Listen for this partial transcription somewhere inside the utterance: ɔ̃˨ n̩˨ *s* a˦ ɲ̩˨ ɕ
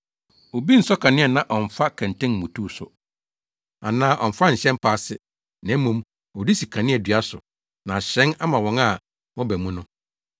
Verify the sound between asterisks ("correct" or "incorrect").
incorrect